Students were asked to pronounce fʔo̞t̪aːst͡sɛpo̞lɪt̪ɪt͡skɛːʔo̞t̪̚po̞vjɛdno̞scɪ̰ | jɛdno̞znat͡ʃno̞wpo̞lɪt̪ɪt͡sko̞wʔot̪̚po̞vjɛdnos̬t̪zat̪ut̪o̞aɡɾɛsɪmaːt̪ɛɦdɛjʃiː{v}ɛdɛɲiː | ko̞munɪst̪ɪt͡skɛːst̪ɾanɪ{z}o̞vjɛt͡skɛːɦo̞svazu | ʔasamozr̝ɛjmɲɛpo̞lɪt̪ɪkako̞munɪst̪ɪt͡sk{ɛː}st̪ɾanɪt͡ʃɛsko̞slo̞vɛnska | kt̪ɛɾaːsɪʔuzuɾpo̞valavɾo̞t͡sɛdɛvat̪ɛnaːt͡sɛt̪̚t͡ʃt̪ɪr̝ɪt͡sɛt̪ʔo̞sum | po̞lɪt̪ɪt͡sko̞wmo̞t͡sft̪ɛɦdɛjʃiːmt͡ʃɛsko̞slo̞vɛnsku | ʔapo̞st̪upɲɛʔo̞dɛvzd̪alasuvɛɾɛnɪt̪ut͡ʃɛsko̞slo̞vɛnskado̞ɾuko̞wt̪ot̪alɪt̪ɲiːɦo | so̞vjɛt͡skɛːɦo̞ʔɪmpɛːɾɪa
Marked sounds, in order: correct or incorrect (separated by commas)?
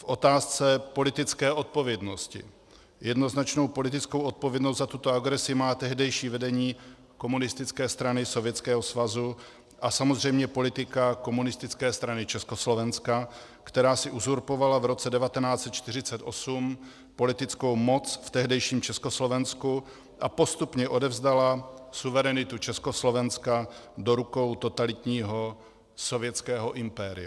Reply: correct, incorrect, correct